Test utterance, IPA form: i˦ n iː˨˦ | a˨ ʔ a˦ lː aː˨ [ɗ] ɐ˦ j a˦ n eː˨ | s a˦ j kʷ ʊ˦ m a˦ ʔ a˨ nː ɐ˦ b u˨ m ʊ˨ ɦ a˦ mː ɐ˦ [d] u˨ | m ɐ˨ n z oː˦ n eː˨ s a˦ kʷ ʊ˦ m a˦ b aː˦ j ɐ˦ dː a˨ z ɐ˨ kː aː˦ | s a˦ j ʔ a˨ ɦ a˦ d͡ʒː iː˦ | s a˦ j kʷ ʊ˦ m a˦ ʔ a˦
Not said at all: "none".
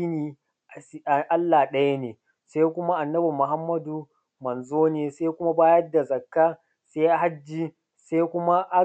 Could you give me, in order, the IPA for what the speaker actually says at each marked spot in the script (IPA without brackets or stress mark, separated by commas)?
ɗ, d